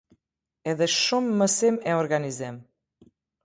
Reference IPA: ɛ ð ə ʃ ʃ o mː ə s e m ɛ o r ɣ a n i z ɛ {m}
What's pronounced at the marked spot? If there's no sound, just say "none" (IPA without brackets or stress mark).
m